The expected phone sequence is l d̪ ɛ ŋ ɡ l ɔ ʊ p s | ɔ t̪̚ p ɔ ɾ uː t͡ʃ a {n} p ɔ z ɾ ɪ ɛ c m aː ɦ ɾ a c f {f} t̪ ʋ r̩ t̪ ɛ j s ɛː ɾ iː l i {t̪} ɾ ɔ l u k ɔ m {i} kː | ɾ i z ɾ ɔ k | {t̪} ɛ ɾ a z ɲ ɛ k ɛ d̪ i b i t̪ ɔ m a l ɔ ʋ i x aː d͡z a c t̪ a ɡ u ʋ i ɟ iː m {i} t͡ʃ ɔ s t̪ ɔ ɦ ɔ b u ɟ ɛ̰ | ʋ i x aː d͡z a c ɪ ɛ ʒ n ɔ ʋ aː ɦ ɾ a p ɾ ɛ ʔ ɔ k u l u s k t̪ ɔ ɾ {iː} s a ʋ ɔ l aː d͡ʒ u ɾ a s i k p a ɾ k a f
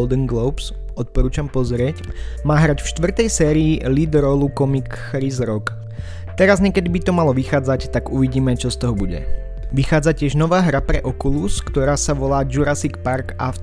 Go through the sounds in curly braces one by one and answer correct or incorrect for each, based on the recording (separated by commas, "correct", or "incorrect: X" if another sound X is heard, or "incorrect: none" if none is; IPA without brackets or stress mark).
incorrect: m, incorrect: ʃ, incorrect: d̪, correct, correct, incorrect: ɛ, incorrect: aː